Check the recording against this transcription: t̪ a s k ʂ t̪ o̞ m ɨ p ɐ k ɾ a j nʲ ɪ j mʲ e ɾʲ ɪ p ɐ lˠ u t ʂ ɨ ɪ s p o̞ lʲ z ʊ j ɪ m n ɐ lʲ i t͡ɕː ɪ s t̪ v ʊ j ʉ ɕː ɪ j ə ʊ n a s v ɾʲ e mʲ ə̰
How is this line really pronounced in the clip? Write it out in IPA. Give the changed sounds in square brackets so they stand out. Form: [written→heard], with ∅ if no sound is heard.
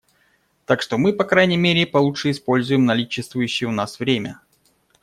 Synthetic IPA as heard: t̪ a [s→∅] k ʂ t̪ o̞ m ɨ p ɐ k ɾ a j nʲ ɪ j mʲ e ɾʲ ɪ p ɐ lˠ u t ʂ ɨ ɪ s p o̞ lʲ z ʊ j ɪ m n ɐ lʲ i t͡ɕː ɪ s t̪ v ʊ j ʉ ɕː ɪ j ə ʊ n a s v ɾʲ e mʲ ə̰